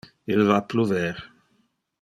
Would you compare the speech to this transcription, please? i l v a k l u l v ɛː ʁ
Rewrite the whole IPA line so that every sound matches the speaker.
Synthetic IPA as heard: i l v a p l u v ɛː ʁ